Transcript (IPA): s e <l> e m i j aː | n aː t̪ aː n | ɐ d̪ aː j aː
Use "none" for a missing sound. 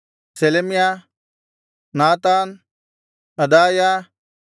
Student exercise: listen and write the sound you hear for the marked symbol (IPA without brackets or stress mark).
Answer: l